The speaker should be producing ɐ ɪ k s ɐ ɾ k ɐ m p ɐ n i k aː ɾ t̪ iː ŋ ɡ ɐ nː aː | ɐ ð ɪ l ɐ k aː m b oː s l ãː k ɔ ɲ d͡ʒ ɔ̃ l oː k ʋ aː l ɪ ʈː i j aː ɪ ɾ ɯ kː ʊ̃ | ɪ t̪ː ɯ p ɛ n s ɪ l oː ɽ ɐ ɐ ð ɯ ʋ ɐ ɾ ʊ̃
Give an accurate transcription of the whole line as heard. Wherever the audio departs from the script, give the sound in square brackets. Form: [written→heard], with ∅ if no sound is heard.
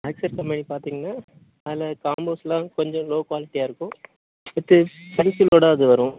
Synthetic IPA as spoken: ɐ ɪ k s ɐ ɾ k ɐ m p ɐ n i [k→p] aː ɾ t̪ iː ŋ ɡ ɐ nː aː | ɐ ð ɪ l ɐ k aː m b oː s l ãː k ɔ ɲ d͡ʒ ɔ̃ l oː k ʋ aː l ɪ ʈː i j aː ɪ ɾ ɯ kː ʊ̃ | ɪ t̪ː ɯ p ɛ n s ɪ l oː ɽ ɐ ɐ ð ɯ ʋ ɐ ɾ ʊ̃